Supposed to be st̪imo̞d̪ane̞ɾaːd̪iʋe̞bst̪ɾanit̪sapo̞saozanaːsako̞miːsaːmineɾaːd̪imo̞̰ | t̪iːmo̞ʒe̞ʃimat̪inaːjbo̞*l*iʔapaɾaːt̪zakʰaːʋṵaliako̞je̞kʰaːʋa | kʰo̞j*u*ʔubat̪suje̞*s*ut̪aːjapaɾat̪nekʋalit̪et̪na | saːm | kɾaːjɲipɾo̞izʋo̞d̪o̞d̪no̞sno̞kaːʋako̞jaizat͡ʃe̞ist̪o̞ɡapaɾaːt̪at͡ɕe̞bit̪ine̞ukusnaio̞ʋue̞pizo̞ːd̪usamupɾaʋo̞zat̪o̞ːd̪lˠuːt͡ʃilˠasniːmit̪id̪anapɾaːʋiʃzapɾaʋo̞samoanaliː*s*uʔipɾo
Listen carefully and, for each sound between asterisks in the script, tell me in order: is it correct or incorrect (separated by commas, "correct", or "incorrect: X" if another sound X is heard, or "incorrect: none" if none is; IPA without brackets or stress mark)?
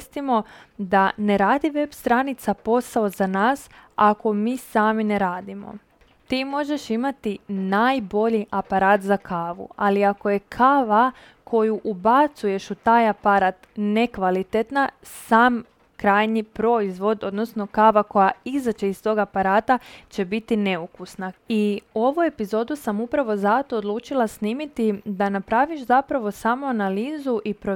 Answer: incorrect: ʎ, correct, incorrect: ʃ, incorrect: z